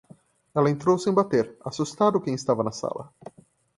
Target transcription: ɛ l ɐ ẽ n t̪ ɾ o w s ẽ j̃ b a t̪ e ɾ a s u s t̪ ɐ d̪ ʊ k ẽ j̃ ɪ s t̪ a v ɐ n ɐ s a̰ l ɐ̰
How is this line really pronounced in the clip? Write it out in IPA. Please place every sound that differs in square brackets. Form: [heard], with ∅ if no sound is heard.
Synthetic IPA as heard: ɛ l ɐ ẽ n t̪ ɾ o w s ẽ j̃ b a t̪ e ɾ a s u s t̪ [a] d̪ ʊ k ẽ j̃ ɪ s t̪ a v ɐ n ɐ s a̰ l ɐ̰